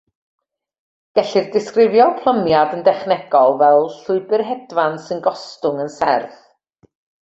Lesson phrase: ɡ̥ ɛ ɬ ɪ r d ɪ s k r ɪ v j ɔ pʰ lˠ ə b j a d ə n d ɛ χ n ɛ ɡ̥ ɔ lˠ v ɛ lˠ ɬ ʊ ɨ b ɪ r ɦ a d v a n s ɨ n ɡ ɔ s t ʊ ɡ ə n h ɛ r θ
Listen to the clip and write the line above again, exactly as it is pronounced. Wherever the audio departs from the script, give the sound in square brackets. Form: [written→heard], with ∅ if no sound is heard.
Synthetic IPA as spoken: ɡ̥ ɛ ɬ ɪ r d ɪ s k r ɪ v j ɔ pʰ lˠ ə [b→m] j a d ə n d ɛ χ n ɛ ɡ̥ ɔ lˠ v ɛ lˠ ɬ ʊ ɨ b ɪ r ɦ [a→ɛ] d v a n s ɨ n ɡ ɔ s t ʊ [ɡ→ŋ] ə n [h→s] ɛ r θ